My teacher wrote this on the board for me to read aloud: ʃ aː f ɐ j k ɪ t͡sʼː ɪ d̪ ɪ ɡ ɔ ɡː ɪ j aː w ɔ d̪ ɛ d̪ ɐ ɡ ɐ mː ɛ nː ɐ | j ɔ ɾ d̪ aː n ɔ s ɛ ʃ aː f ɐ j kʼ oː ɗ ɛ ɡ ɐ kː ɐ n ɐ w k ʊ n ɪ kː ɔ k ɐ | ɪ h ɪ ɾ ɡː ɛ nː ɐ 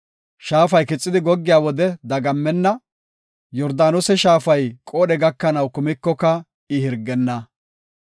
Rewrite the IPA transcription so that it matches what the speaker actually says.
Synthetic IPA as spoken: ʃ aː f ɐ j k ɪ t͡sʼː ɪ d̪ ɪ ɡ ɔ ɡː ɪ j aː w ɔ d̪ ɛ d̪ ɐ ɡ ɐ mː ɛ nː ɐ | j ɔ ɾ d̪ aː n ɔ s ɛ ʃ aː f ɐ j kʼ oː ɗ ɛ ɡ ɐ kː ɐ n ɐ w k ʊ m ɪ kː ɔ k ɐ | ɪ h ɪ ɾ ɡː ɛ nː ɐ